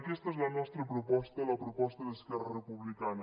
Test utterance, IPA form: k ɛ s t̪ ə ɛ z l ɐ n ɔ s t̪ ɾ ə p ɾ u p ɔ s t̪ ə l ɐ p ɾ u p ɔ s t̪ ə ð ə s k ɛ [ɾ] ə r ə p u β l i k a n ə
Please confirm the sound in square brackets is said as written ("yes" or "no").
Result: no